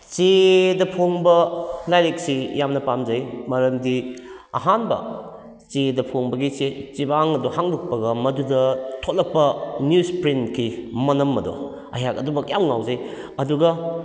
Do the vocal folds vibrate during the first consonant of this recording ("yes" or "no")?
no